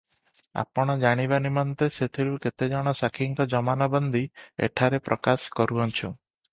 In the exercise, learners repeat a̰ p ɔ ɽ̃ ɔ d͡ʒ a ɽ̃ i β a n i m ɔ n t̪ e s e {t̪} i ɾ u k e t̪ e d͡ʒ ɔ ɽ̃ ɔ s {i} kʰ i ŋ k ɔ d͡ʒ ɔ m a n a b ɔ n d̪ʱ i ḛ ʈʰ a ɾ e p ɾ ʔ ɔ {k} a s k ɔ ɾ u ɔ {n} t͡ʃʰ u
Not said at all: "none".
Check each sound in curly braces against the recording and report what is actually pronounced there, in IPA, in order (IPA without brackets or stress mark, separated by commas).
t̪ʰ, a, k, n